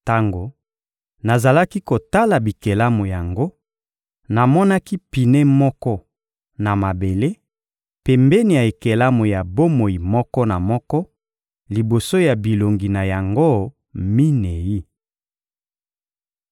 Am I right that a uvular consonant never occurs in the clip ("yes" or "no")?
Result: yes